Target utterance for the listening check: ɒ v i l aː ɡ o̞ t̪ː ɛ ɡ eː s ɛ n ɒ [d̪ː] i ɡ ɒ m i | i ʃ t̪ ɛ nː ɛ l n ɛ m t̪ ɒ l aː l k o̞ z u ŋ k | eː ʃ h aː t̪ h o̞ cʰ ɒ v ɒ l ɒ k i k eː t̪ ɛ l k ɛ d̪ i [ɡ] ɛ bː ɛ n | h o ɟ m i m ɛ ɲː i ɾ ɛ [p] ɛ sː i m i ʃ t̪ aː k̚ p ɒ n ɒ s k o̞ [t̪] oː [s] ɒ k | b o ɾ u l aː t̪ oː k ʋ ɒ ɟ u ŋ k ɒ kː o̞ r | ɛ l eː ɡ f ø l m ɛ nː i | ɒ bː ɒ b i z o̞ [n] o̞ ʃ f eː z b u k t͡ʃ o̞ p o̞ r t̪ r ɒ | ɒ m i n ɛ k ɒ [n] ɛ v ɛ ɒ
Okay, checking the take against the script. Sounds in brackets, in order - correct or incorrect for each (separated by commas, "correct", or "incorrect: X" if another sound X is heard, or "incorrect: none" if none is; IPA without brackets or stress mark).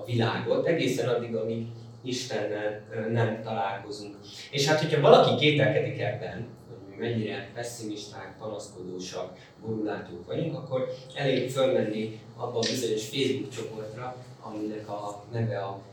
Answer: correct, incorrect: k, correct, incorrect: d̪, incorrect: ʃ, incorrect: ɲ, correct